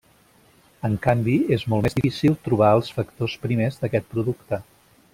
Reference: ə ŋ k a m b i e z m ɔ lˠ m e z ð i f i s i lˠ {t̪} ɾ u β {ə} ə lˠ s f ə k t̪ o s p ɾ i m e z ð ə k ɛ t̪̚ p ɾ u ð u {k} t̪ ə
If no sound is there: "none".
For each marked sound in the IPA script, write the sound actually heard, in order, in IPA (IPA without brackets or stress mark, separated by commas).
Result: t̪, a, k